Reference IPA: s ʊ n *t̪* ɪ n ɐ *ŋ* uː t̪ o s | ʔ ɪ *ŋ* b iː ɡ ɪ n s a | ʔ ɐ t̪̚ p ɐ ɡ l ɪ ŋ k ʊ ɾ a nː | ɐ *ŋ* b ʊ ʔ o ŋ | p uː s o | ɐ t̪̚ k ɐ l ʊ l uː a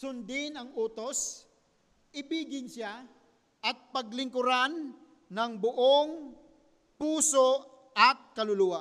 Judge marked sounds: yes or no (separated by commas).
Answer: no, yes, no, yes